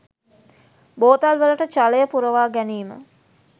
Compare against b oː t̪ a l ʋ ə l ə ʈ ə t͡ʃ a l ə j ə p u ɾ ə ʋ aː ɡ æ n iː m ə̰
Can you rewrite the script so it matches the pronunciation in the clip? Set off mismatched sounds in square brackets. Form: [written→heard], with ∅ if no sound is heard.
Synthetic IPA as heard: b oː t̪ a l ʋ ə l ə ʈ ə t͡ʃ a l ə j ə p u ɾ ə ʋ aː ɡ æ n iː m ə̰

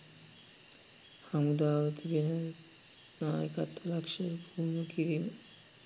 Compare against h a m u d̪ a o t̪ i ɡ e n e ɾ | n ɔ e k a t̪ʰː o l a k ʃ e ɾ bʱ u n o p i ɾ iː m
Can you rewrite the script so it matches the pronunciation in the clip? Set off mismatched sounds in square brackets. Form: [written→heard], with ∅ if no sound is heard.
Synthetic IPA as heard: h a m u d̪ a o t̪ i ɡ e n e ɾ | n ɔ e k a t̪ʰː o l a k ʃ e ɾ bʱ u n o [p→k] i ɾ [iː→i] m

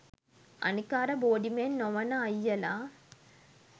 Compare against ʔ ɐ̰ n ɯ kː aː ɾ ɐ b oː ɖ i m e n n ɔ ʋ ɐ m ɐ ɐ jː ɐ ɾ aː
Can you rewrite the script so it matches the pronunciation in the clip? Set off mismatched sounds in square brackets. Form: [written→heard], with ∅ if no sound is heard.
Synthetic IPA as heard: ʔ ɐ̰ n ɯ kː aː ɾ ɐ b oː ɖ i m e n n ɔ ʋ ɐ [m→n] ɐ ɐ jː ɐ [ɾ→l] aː

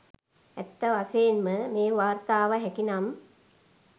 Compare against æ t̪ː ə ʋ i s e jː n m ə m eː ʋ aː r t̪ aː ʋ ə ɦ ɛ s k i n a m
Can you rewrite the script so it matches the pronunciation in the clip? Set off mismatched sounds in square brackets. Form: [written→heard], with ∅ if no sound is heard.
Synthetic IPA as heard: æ t̪ː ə ʋ [i→a] s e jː n m ə m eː ʋ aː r t̪ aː ʋ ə ɦ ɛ [s→∅] k i n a m

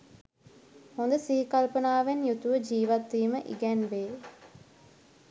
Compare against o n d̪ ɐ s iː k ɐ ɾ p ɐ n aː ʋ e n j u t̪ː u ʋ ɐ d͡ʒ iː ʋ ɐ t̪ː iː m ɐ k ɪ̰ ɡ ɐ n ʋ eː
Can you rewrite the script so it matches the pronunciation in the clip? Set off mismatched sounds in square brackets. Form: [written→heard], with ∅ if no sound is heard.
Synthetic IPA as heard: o n d̪ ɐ s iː k ɐ [ɾ→l] p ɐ n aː ʋ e n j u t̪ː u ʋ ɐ d͡ʒ iː ʋ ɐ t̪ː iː m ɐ [k→ʔ] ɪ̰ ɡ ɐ n ʋ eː

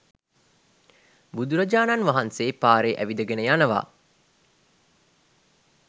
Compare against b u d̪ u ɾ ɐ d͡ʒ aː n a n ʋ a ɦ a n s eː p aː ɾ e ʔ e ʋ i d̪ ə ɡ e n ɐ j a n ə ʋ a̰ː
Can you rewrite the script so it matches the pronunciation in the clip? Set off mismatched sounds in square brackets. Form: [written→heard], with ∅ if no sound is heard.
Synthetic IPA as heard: b u d̪ u ɾ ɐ d͡ʒ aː n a n ʋ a ɦ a n s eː p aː ɾ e ʔ [e→æ] ʋ i d̪ ə ɡ e n [ɐ→ə] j a n ə ʋ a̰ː

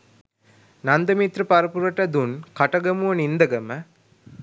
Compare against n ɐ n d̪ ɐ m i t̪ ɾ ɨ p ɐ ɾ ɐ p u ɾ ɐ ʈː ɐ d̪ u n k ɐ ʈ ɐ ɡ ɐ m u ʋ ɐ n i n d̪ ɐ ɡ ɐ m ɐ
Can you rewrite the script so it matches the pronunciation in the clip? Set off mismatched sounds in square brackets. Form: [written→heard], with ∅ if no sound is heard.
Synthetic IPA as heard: n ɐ n d̪ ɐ m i t̪ ɾ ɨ p ɐ ɾ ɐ p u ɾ ɐ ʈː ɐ d̪ u n k ɐ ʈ ɐ ɡ ɐ m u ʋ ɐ n i n d̪ ɐ ɡ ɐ m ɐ

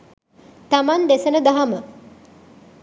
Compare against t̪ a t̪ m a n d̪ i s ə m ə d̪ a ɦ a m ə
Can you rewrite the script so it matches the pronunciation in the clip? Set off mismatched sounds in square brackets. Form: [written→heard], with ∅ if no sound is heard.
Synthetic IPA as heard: t̪ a [t̪→∅] m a n d̪ [i→e] s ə [m→n] ə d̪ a ɦ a m ə

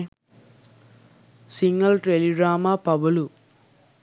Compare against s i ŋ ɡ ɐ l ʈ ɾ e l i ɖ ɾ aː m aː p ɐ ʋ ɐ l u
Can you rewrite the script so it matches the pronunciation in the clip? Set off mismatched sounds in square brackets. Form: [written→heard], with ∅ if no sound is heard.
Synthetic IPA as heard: s i ŋ ɡ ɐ l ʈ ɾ e l i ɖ ɾ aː m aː p ɐ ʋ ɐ l u

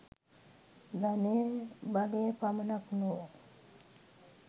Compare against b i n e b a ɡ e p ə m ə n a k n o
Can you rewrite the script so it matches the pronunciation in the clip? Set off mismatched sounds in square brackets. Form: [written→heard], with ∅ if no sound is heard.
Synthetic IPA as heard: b [i→a] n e b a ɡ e p [ə→a] m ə n a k n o

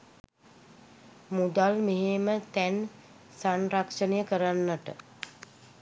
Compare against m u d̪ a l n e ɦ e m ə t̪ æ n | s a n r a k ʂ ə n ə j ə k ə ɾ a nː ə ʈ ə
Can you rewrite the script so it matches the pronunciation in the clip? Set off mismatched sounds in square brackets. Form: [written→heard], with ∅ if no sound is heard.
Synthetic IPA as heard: m u d̪ a l [n→m] e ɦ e m ə t̪ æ n | s a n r a k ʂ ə n ə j ə k ə ɾ a nː ə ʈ ə

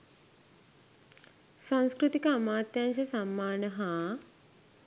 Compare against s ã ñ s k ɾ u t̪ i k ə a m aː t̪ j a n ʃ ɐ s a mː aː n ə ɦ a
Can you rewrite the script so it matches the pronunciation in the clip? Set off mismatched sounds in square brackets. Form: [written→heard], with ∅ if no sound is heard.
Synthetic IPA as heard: s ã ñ s k ɾ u t̪ i k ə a m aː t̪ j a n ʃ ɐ s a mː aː n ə ɦ a

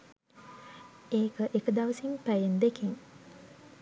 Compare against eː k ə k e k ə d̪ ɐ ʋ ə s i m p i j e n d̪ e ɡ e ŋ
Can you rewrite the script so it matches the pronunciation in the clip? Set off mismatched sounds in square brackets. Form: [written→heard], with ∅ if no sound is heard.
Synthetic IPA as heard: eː k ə [k→ʔ] e k ə d̪ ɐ ʋ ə s i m p [i→æ] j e n d̪ e [ɡ→k] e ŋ

